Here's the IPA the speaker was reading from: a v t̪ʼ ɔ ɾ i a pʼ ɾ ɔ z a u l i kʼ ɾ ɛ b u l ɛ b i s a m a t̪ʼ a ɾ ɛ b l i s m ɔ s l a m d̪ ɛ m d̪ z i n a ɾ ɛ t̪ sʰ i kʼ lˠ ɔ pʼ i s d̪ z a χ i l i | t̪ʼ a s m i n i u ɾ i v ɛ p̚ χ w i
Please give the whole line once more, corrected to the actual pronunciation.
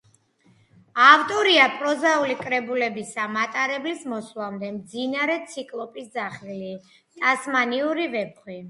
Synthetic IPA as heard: a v t̪ʼ ɔ ɾ i a pʼ ɾ ɔ z a u l i kʼ ɾ ɛ b u l ɛ b i s a m a t̪ʼ a ɾ ɛ b l i s m ɔ s l a m d̪ ɛ m d̪ z i n a ɾ ɛ t̪ sʰ i kʼ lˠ ɔ pʼ i s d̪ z a χ i l i | t̪ʼ a s m a n i u ɾ i v ɛ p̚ χ w i